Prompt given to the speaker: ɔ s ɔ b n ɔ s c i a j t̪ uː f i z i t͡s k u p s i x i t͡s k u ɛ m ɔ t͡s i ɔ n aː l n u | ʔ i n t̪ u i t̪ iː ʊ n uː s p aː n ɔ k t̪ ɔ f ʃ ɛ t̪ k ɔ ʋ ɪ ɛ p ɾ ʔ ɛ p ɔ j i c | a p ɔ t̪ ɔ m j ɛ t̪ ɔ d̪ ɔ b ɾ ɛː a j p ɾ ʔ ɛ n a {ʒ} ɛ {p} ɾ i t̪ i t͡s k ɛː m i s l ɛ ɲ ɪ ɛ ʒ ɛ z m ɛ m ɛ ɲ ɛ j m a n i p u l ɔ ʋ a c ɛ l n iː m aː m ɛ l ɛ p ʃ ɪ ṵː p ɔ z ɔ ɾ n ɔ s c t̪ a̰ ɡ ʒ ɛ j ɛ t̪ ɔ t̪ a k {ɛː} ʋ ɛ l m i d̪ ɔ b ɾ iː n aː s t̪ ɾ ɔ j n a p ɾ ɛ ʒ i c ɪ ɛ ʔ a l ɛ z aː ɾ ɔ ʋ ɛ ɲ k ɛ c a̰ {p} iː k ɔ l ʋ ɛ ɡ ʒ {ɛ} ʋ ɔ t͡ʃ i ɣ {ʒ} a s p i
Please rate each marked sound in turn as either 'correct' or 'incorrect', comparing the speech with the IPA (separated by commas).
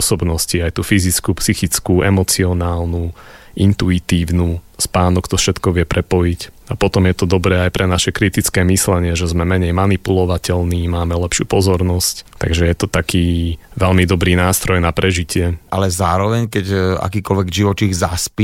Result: incorrect, incorrect, incorrect, incorrect, incorrect, incorrect